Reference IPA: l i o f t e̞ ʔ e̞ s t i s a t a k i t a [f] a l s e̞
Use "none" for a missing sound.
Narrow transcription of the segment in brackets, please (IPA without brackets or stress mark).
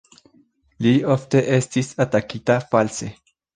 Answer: f